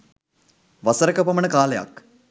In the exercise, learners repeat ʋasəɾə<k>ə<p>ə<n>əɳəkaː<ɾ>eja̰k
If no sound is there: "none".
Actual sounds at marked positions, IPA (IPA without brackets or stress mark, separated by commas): k, p, m, l